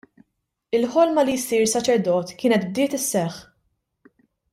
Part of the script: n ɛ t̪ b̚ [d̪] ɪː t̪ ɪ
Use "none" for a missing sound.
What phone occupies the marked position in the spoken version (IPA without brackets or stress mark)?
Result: d̪